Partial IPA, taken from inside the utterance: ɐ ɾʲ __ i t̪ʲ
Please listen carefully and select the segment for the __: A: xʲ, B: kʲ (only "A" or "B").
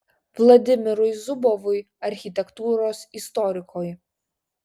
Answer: A